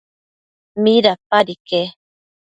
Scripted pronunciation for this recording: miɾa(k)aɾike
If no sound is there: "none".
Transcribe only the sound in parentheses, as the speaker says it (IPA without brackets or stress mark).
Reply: p